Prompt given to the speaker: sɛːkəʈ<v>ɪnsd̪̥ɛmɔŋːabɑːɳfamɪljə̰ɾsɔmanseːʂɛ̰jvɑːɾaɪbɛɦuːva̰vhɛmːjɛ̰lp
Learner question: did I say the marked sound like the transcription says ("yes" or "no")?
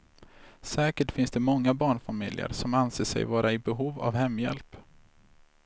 no